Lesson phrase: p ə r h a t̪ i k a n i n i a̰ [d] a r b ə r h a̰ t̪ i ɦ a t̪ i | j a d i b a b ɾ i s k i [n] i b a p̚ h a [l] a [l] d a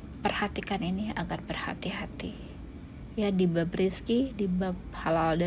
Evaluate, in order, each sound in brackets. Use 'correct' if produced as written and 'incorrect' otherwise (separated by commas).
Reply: incorrect, incorrect, correct, correct